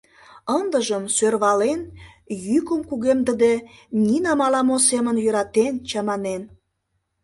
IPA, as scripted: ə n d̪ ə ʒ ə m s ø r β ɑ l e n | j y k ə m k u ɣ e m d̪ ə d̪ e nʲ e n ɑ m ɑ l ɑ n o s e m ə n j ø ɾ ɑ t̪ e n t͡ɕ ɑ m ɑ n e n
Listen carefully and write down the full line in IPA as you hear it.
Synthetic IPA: ə n d̪ ə ʒ ə m s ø r β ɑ l e n | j y k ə m k u ɣ e m d̪ ə d̪ e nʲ i n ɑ m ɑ l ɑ m o s e m ə n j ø ɾ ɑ t̪ e n t͡ɕ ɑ m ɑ n e n